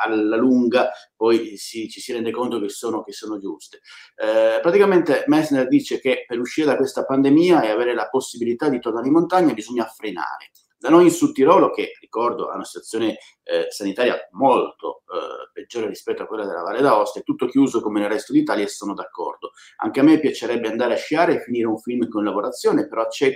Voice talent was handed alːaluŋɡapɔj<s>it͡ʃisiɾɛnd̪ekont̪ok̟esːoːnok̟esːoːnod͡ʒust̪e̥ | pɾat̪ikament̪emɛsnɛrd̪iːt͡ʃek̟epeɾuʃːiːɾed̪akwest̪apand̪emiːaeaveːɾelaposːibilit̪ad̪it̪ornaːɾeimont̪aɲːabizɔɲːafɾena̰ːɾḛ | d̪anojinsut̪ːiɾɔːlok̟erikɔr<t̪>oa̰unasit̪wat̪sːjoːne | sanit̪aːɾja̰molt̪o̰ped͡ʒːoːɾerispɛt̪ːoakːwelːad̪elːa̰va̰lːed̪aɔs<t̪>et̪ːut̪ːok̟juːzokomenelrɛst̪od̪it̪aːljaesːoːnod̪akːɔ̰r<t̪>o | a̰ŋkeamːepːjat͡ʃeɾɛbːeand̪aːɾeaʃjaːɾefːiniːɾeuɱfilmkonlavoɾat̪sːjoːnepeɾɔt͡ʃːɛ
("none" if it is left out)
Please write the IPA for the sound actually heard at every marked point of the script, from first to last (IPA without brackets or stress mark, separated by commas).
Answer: s, d̪, t̪, d̪